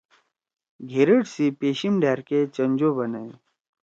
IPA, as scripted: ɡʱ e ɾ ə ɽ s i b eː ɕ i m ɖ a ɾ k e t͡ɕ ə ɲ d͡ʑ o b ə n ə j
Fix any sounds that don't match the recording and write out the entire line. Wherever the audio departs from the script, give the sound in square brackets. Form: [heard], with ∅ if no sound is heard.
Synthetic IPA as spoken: ɡʱ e ɾ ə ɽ s i [p] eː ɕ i m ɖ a ɾ k e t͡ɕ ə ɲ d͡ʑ o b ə n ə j